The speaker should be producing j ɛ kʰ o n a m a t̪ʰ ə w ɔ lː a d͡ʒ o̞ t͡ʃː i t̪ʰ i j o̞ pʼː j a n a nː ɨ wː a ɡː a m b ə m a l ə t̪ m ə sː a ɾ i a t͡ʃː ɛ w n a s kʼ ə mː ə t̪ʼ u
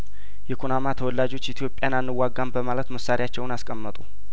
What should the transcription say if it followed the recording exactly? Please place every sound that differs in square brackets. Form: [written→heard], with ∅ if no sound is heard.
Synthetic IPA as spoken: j ɛ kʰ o n a m a t̪ʰ ə w ɔ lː a d͡ʒ o̞ t͡ʃː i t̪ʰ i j o̞ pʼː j a n a nː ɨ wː a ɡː a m b ə m a l ə t̪ m ə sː a ɾ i a t͡ʃː ɛ w n a s kʼ ə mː ə t̪ʼ u